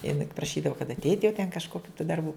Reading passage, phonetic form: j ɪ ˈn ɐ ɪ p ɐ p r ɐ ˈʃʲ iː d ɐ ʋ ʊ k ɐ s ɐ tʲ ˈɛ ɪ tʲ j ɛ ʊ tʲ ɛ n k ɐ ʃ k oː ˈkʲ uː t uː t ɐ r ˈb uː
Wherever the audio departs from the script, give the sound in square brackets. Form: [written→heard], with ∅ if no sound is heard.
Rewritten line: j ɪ ˈn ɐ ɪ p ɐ p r ɐ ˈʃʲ iː d ɐ ʋ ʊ k ɐ [s→t] ɐ tʲ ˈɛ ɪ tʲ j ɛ ʊ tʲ ɛ n k ɐ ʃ k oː ˈkʲ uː t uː [t→d] ɐ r ˈb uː